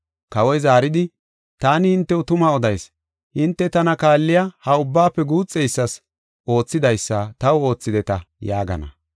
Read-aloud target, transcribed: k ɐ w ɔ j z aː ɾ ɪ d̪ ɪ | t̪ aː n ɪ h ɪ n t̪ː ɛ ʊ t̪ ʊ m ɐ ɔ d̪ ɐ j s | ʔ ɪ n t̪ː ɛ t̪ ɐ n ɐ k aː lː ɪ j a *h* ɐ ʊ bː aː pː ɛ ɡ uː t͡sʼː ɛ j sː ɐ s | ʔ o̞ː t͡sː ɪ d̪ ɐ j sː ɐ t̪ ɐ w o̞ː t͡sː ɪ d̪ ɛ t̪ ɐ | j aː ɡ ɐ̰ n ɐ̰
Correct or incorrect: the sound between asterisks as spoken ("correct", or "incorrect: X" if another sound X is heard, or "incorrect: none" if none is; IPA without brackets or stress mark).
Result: correct